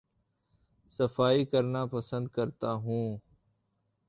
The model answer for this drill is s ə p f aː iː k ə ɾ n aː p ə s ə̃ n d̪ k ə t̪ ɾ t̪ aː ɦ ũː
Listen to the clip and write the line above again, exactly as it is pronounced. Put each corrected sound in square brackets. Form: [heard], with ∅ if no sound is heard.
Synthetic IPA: s ə [∅] f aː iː k ə ɾ n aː p ə s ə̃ n d̪ k ə [∅] ɾ t̪ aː ɦ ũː